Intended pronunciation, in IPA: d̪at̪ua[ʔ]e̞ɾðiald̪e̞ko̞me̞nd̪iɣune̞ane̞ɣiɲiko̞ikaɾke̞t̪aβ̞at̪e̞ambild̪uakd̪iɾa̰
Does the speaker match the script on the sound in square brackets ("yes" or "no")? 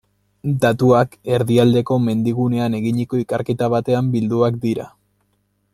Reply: no